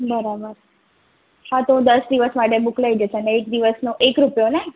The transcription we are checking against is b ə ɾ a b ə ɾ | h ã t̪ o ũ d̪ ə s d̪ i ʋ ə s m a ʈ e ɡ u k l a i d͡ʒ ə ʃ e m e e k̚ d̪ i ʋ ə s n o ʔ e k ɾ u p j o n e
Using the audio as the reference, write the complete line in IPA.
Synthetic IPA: b ə ɾ a b ə ɾ | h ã t̪ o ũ d̪ ə s d̪ i ʋ ə s m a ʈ e b u k l a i d͡ʒ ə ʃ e n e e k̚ d̪ i ʋ ə s n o ʔ e k ɾ u p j o n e